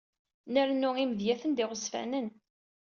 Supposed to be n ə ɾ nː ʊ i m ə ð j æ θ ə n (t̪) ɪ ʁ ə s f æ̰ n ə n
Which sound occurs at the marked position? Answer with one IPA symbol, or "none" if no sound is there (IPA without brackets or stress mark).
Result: d̪